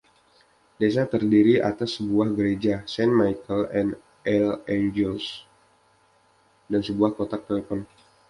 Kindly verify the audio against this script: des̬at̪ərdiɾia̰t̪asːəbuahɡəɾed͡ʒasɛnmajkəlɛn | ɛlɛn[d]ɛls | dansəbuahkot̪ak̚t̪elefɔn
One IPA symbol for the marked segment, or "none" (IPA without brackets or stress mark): d͡ʒ